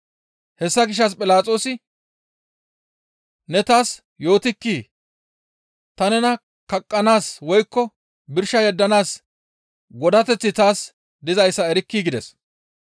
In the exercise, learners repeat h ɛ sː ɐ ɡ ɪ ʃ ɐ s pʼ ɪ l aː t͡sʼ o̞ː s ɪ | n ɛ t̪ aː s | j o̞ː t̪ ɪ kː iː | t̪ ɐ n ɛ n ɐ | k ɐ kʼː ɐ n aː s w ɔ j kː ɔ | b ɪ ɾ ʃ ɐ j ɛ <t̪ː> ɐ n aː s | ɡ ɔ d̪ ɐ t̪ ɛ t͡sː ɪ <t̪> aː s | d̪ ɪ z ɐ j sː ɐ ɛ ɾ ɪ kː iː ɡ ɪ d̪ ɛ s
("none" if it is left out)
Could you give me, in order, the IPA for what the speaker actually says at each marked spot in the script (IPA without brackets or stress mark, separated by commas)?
d̪ː, t̪